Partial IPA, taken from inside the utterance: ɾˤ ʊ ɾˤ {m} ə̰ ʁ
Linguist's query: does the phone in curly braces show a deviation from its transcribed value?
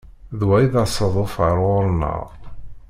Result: yes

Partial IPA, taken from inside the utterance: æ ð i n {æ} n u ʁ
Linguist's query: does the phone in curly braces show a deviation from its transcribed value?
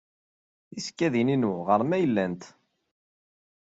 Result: yes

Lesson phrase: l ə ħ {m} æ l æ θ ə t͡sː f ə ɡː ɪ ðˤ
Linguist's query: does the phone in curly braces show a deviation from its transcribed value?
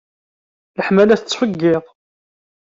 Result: no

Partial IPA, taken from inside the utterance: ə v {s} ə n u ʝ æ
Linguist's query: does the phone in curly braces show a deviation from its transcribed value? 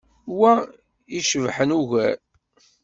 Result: yes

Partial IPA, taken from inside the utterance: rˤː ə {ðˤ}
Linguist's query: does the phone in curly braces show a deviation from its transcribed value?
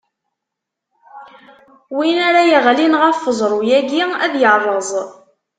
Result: yes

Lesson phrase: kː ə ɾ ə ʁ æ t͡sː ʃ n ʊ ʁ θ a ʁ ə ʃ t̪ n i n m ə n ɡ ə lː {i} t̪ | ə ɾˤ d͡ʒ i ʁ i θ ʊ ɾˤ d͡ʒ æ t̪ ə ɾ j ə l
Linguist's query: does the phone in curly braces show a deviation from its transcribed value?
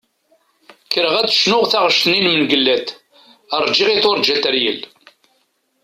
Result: yes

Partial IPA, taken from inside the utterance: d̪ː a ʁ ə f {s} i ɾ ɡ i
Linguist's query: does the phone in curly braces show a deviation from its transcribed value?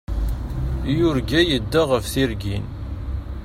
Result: yes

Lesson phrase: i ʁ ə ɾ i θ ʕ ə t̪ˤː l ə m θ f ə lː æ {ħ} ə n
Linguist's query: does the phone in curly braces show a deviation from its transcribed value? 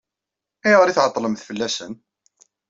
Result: yes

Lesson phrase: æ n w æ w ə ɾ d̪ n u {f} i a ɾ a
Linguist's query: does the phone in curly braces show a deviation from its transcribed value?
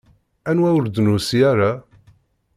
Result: yes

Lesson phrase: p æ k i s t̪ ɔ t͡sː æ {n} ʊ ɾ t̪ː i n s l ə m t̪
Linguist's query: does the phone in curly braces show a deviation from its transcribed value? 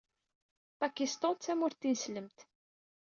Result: yes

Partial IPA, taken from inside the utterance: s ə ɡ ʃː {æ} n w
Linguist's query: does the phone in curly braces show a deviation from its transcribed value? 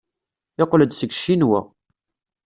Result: yes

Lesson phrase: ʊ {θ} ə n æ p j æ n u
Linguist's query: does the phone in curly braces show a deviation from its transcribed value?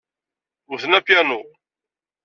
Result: no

